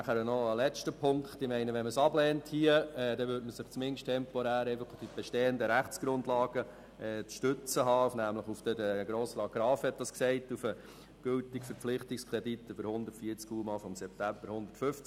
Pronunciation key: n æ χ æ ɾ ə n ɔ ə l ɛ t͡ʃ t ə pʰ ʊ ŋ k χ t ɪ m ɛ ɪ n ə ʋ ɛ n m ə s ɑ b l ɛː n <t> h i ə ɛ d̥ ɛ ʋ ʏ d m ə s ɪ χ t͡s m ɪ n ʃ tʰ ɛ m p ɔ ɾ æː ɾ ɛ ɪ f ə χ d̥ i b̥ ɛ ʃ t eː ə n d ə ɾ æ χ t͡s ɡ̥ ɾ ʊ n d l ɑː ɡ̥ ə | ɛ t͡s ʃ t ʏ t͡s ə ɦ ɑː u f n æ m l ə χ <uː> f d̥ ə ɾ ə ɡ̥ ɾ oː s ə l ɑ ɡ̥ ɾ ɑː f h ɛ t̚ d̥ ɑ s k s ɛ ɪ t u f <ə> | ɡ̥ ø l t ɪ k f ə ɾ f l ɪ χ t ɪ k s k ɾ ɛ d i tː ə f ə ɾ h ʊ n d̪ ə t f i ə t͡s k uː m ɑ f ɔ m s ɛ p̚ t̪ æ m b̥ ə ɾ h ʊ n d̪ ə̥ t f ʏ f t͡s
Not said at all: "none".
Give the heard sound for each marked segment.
t, u, ə

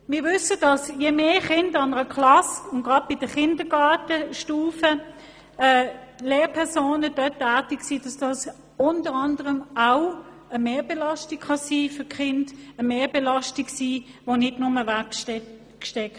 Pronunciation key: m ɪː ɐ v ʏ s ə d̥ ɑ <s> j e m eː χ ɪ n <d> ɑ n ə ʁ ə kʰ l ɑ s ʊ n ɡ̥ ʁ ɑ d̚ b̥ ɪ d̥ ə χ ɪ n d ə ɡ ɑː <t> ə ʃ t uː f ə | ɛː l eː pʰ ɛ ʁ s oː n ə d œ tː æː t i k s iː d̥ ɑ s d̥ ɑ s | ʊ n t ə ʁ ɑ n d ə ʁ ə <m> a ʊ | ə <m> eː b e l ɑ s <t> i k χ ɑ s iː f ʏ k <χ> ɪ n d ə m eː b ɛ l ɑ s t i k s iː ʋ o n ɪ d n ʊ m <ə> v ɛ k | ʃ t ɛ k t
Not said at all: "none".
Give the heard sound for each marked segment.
s, d, t, m, m, t, χ, ə

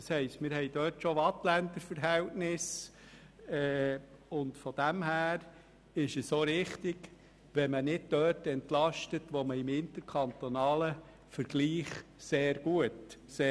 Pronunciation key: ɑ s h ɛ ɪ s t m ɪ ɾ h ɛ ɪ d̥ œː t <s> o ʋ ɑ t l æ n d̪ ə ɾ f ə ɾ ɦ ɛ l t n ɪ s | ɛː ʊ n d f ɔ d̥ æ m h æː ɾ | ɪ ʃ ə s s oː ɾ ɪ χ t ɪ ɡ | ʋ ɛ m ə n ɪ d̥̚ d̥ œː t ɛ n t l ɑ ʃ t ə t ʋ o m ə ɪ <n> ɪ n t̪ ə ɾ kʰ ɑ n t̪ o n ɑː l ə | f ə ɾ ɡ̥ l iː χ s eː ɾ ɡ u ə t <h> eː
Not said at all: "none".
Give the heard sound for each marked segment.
ʃ, m, s

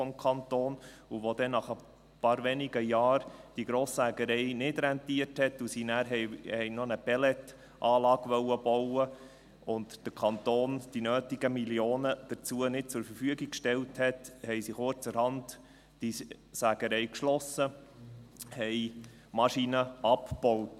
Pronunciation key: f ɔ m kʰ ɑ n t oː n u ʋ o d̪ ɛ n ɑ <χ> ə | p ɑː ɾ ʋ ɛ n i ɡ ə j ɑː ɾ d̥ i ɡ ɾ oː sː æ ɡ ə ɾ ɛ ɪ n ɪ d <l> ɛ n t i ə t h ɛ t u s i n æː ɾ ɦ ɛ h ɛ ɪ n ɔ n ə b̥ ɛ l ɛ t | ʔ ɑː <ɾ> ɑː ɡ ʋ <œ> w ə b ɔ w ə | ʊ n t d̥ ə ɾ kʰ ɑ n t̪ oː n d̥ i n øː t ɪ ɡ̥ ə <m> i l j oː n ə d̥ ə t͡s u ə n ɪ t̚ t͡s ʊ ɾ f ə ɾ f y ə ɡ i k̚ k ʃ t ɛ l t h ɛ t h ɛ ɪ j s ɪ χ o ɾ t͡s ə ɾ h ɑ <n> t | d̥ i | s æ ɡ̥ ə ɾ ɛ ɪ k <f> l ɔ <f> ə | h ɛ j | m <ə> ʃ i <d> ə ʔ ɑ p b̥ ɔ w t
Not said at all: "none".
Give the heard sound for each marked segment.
χ, ɾ, l, œ, m, n, ʃ, s, ɑ, n

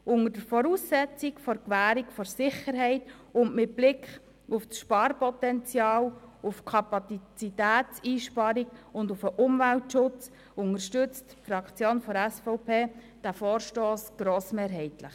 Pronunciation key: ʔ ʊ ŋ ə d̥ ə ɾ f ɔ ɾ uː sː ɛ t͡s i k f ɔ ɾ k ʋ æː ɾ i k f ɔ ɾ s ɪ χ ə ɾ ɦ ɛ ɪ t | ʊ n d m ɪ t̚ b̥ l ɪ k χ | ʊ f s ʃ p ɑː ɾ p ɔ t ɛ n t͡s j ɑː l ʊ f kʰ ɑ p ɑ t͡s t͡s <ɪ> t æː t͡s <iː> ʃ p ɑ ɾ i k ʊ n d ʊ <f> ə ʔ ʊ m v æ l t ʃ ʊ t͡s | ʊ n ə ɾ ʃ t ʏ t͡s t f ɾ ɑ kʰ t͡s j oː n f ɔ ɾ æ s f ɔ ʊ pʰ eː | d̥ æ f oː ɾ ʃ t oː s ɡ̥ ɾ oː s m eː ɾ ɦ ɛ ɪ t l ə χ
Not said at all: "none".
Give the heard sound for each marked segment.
i, iː, f

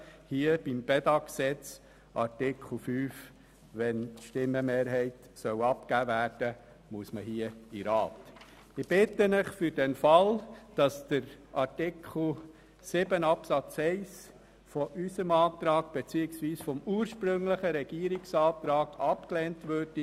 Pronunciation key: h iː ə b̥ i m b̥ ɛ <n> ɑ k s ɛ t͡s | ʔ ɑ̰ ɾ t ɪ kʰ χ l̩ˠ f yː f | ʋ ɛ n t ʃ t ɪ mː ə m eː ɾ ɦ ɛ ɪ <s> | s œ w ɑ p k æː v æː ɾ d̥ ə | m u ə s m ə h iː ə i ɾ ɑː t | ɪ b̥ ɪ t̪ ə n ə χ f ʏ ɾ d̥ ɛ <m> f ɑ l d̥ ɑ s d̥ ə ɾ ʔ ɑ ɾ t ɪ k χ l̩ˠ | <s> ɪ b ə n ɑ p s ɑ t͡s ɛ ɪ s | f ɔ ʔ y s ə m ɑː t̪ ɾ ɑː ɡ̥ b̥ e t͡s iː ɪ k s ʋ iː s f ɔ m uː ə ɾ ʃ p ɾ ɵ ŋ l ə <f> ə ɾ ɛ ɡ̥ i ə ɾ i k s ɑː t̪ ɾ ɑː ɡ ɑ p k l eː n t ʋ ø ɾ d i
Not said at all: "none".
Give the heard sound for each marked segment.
d, t, n, s, χ

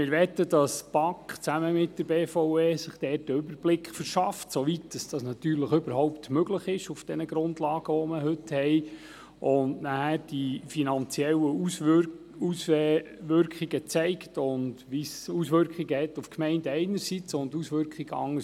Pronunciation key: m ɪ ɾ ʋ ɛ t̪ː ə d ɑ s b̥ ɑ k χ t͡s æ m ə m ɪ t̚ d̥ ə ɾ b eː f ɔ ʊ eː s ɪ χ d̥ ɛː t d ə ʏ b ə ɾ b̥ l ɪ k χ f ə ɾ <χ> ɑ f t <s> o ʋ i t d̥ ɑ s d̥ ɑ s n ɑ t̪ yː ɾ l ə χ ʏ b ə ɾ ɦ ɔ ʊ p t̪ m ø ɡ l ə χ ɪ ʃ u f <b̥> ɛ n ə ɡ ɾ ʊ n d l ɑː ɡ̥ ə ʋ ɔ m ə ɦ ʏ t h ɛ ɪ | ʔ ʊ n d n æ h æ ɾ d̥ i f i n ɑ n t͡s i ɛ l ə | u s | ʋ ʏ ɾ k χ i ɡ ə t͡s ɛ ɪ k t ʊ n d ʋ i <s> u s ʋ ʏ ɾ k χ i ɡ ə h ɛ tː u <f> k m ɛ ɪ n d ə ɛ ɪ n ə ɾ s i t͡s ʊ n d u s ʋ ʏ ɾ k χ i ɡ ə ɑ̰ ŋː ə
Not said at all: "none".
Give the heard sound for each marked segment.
ʃ, s, d̥, s, f

